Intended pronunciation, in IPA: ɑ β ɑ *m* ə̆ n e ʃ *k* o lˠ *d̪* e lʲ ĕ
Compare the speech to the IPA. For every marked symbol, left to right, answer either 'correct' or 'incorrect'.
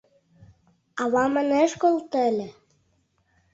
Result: correct, correct, incorrect

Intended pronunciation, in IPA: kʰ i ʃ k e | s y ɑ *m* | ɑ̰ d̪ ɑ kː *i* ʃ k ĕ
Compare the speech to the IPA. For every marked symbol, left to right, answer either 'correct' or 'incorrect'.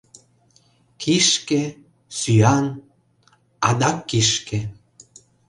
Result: incorrect, correct

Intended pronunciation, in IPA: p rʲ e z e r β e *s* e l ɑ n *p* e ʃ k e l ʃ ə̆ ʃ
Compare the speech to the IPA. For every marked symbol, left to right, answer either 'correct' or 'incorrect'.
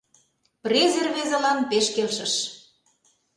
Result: incorrect, correct

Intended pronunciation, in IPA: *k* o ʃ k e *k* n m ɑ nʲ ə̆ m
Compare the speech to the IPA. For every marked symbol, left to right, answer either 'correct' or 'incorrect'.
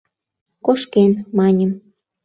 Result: correct, incorrect

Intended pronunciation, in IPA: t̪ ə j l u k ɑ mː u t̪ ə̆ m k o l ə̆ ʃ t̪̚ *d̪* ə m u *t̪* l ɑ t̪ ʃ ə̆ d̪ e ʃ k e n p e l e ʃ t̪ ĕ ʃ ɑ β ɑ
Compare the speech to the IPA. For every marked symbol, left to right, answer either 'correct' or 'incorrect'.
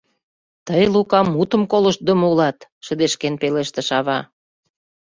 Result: correct, incorrect

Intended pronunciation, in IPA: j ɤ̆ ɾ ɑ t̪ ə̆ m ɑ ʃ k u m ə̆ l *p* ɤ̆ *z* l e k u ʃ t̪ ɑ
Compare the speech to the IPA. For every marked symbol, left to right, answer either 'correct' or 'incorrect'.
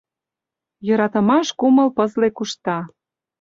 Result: correct, correct

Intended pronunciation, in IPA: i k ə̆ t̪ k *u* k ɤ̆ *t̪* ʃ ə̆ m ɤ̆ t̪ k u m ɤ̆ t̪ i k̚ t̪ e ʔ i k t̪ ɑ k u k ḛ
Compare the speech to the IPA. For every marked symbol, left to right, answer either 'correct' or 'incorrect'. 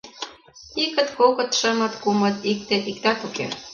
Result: incorrect, correct

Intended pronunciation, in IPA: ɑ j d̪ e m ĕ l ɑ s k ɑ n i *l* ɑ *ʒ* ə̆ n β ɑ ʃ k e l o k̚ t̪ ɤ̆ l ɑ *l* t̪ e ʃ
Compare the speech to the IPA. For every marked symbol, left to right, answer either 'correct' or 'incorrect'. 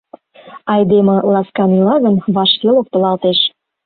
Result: correct, incorrect, correct

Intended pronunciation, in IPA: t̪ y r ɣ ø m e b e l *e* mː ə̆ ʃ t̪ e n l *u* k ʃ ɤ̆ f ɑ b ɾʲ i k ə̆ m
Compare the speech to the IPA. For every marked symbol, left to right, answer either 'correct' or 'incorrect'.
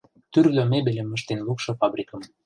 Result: correct, correct

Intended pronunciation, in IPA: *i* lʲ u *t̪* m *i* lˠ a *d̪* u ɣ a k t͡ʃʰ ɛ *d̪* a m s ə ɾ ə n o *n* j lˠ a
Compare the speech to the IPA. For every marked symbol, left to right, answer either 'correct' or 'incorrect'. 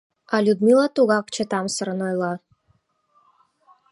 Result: incorrect, incorrect, correct, incorrect, incorrect, incorrect

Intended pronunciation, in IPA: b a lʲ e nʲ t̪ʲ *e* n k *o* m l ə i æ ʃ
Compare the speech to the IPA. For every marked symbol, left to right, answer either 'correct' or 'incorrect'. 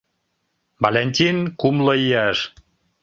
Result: incorrect, incorrect

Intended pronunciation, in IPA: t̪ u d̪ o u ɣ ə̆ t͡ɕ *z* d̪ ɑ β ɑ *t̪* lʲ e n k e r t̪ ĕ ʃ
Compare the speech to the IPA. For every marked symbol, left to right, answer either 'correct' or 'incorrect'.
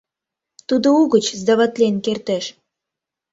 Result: correct, correct

